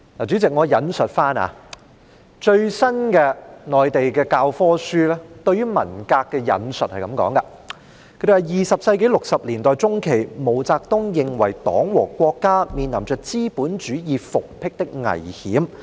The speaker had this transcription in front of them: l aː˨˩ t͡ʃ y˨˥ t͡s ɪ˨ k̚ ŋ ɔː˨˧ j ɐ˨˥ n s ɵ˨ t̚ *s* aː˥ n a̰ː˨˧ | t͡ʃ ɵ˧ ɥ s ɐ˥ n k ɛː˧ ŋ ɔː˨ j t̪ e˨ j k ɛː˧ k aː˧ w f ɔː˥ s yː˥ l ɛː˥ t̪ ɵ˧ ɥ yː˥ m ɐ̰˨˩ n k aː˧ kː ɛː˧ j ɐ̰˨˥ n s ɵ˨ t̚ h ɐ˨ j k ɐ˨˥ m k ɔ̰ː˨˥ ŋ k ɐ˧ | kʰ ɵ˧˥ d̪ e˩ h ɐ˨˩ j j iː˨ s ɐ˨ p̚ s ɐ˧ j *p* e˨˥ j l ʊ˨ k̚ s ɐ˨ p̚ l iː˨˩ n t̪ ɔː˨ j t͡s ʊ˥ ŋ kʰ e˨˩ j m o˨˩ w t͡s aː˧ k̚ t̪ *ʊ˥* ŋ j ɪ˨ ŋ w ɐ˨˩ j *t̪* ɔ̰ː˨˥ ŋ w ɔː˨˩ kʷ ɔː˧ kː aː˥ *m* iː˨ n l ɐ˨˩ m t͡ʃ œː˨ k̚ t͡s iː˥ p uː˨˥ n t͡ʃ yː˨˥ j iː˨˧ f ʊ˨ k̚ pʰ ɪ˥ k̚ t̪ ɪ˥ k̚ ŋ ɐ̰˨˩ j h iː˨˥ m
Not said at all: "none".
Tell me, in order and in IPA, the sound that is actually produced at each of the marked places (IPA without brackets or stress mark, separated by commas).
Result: f, k, ʊ˥, t̪, m